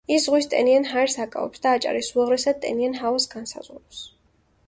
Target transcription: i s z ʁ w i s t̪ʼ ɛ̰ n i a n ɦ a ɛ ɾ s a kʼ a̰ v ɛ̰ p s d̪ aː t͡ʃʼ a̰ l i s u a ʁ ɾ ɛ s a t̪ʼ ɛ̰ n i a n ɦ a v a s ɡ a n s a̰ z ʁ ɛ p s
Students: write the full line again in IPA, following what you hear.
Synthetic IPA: i s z ʁ w i s t̪ʼ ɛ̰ n i a n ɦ a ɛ ɾ s a kʼ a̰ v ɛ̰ p s d̪ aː t͡ʃʼ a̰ ɾ i s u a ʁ ɾ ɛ s a t̪ʼ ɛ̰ n i a n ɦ a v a s ɡ a n s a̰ z ʁ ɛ p s